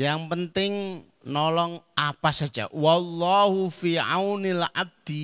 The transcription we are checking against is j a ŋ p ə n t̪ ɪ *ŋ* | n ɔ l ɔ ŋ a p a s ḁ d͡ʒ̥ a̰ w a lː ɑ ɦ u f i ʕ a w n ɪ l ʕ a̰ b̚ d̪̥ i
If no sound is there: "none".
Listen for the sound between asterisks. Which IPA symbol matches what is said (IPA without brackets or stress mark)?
ŋ